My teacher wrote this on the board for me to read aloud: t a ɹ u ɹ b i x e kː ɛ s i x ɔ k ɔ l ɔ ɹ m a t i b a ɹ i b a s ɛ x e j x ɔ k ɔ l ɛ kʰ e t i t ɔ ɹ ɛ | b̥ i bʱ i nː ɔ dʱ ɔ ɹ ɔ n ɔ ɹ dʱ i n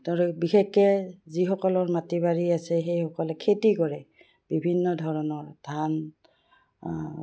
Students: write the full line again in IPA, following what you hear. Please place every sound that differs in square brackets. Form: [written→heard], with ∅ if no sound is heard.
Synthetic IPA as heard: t a ɹ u [ɹ→∅] b i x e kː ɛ [s→z] i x ɔ k ɔ l ɔ ɹ m a t i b a ɹ i [b→∅] a s ɛ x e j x ɔ k ɔ l ɛ kʰ e t i [t→k] ɔ ɹ ɛ | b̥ i bʱ i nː ɔ dʱ ɔ ɹ ɔ n ɔ ɹ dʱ [i→a] n